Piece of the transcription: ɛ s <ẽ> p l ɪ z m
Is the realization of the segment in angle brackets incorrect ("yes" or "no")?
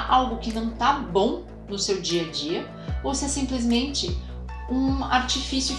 yes